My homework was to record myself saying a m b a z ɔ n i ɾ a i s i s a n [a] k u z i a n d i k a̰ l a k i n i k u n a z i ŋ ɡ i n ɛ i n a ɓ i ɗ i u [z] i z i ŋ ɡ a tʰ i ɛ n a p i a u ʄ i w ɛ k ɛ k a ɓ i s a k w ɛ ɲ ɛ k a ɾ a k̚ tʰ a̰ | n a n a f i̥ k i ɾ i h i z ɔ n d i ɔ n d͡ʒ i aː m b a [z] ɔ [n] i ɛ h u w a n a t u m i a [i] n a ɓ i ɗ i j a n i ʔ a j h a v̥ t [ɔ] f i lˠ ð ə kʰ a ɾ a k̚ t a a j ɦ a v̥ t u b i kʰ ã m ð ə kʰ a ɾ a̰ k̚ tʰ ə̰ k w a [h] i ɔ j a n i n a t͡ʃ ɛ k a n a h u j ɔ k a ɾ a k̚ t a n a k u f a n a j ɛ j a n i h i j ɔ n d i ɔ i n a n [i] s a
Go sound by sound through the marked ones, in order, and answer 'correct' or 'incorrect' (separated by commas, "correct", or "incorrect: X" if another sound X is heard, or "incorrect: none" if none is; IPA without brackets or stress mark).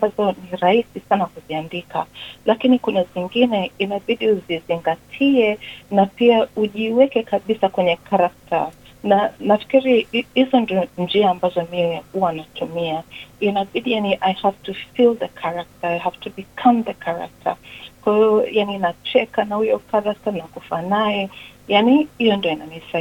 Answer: correct, correct, correct, incorrect: m, correct, incorrect: u, correct, correct